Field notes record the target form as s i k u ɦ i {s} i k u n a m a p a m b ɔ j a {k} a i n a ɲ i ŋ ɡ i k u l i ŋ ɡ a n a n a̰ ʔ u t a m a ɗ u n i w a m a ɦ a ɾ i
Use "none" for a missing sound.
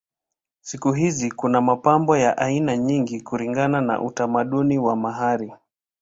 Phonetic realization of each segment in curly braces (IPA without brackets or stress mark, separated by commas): z, ʔ